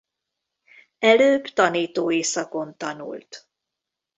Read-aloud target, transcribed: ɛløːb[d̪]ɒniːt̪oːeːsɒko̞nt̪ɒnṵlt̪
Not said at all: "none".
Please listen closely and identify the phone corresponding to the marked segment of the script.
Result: t̪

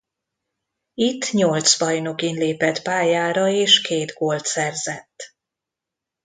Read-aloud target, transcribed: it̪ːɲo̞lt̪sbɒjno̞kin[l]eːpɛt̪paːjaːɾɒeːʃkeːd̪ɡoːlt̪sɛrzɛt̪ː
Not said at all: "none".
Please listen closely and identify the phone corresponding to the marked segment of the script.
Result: l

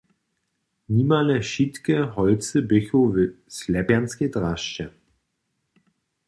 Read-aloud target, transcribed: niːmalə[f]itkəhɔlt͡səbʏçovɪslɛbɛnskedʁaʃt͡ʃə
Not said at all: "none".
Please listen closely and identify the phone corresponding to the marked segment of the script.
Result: ʃ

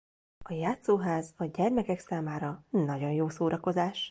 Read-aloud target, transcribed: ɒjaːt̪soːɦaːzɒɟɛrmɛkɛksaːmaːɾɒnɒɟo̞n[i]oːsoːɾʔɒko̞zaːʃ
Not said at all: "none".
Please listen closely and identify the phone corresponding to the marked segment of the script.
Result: j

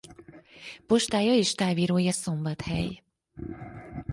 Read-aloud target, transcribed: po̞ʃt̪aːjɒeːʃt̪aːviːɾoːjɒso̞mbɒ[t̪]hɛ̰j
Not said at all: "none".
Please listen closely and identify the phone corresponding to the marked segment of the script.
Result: t̪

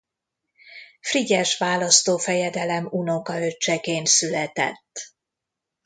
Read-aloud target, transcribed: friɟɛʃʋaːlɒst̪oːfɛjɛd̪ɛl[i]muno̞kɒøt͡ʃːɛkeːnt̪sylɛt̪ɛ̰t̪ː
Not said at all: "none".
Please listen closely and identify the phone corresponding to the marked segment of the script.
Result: ɛ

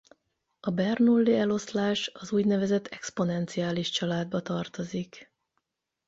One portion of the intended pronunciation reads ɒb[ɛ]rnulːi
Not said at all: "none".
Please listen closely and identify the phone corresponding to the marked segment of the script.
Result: ɛ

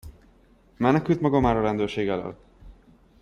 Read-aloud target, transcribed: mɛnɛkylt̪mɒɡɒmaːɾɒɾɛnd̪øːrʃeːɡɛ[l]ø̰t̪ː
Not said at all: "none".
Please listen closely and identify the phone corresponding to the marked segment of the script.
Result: l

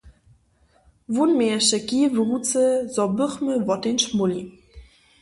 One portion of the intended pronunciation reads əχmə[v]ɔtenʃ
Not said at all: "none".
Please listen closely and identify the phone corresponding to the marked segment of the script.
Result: v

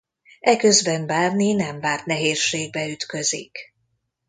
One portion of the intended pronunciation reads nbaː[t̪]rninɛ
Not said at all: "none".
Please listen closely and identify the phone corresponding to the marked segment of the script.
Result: none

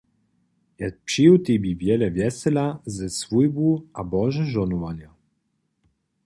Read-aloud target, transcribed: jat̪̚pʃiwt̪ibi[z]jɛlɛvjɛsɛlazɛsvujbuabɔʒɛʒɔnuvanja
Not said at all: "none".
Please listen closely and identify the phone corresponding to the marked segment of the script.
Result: v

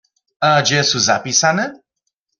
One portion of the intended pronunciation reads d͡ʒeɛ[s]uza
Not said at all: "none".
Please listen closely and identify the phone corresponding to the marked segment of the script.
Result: s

